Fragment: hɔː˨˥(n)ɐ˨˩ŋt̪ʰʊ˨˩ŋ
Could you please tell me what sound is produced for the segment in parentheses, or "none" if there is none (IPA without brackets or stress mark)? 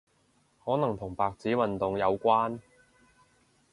n